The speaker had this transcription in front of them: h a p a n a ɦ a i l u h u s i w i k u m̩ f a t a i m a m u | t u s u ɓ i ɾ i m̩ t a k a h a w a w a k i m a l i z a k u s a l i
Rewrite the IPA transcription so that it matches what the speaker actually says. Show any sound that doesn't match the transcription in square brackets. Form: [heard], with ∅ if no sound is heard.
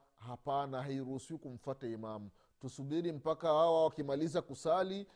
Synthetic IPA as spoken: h a p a n a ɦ a i [ɾ] u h u s i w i k u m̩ f a t a i m a m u | t u s u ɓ i ɾ i m̩ [p] a k a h a w a w a k i m a l i z a k u s a l i